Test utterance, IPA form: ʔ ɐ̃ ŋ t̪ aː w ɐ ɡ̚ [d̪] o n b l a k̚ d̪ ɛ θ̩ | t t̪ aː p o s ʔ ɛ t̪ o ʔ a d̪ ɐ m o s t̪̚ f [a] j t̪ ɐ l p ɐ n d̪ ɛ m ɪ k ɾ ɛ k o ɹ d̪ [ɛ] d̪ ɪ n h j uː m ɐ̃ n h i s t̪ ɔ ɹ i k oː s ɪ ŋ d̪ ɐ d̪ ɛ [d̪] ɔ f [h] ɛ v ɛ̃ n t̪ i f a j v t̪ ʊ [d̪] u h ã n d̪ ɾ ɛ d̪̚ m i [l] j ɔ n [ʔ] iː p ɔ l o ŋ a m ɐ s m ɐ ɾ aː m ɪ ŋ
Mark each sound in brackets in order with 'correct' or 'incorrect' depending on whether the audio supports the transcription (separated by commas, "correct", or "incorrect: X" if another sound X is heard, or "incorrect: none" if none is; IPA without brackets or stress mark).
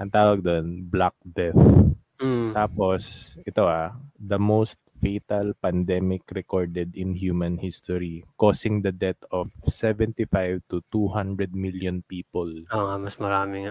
correct, incorrect: e, correct, incorrect: t̪, incorrect: s, incorrect: t̪, correct, incorrect: p